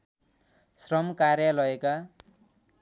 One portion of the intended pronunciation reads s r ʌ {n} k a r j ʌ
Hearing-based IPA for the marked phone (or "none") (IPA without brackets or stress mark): m